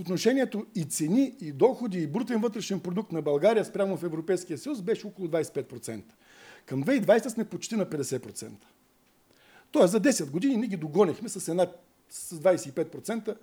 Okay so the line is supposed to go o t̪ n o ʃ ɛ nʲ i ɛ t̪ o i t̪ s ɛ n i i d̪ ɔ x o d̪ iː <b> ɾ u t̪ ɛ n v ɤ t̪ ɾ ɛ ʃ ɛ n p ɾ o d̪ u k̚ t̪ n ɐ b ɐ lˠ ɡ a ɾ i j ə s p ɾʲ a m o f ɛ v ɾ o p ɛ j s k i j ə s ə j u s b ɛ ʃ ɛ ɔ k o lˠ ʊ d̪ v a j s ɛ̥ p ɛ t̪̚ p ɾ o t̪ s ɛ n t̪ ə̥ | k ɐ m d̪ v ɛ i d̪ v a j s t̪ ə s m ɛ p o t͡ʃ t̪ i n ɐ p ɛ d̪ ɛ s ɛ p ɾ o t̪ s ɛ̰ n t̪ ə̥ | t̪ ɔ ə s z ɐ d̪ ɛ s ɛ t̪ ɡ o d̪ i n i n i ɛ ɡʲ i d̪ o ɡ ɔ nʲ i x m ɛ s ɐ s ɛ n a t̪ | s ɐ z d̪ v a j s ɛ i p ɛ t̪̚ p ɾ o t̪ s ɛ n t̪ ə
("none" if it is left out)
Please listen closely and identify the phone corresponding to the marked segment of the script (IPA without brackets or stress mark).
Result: b